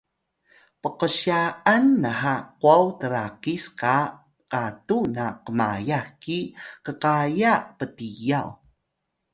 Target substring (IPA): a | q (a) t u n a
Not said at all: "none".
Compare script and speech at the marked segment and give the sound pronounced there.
a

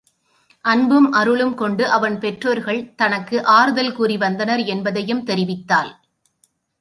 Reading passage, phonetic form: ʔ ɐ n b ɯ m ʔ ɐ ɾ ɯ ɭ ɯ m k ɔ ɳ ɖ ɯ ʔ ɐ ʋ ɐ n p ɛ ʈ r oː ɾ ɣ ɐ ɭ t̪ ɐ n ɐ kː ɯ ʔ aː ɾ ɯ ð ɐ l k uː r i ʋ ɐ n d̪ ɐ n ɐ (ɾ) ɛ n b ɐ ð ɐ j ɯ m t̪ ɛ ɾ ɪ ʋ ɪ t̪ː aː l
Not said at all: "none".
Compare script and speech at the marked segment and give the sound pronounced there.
ɾ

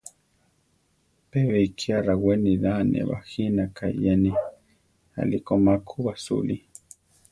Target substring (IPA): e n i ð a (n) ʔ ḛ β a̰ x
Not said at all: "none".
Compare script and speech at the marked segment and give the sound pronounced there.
n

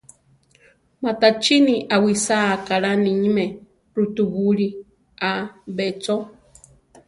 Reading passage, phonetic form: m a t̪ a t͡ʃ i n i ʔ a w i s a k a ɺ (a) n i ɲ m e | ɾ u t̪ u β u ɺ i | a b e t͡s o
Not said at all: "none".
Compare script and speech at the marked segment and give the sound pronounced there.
a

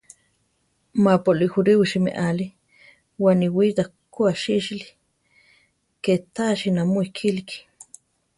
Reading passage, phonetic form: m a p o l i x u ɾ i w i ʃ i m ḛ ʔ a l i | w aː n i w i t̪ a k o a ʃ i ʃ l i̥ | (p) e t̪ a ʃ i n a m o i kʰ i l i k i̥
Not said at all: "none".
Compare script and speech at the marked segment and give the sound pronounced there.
k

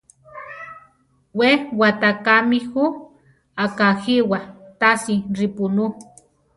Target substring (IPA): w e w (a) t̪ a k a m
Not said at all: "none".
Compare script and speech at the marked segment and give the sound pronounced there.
a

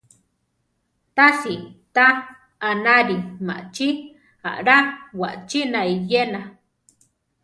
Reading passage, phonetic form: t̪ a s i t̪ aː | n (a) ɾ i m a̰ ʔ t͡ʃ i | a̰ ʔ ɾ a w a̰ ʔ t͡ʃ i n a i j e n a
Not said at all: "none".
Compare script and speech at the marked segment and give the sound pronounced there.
a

